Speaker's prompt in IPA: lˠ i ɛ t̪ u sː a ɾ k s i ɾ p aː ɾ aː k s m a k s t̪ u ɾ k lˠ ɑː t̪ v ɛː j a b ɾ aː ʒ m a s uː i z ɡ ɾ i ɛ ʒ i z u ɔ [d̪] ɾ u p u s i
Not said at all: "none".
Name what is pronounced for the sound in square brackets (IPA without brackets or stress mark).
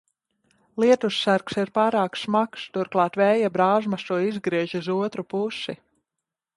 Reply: t̪